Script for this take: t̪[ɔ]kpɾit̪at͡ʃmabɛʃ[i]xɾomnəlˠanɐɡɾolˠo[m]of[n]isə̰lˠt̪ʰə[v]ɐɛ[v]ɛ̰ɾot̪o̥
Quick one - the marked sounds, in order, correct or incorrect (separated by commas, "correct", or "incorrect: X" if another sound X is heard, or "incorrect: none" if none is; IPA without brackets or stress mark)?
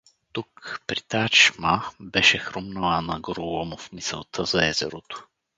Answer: incorrect: u, incorrect: ɛ, correct, incorrect: m, incorrect: z, incorrect: z